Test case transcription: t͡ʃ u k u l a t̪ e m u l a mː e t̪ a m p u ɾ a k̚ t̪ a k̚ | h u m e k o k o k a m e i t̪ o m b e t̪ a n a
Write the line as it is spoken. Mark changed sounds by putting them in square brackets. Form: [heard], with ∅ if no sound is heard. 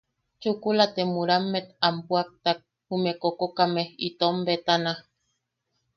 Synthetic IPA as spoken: t͡ʃ u k u l a t̪ e m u [ɾ] a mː e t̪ a m p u [∅] a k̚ t̪ a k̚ | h u m e k o k o k a m e i t̪ o m b e t̪ a n a